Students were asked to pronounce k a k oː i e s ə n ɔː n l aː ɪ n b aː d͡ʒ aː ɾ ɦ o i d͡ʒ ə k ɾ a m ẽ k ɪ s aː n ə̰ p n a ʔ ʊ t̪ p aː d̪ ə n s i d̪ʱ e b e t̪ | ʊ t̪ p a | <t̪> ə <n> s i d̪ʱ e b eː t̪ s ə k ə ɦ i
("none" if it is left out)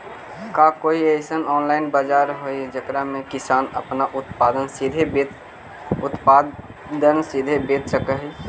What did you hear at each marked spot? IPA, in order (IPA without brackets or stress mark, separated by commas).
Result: d̪, n